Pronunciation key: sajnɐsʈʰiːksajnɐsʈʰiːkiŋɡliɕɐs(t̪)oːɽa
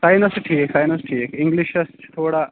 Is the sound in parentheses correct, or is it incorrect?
incorrect